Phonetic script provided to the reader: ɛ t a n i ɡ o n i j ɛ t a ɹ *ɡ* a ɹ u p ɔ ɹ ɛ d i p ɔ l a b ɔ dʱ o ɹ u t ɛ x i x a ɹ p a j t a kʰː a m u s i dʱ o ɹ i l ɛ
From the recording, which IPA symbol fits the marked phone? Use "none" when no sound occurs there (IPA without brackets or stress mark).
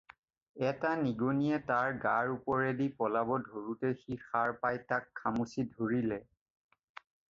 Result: ɡ